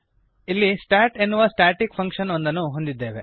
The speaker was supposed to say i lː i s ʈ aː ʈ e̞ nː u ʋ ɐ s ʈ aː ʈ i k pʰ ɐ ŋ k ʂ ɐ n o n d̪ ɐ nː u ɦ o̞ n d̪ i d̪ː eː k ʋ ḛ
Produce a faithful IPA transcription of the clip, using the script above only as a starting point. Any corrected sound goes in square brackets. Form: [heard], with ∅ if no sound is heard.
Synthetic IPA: i lː i s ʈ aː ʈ e̞ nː u ʋ ɐ s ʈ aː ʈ i k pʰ ɐ ŋ k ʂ ɐ n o n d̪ ɐ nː u ɦ o̞ n d̪ i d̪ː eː [∅] ʋ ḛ